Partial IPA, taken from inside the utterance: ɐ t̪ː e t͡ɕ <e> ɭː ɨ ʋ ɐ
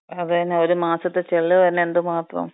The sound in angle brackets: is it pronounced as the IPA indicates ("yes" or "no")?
yes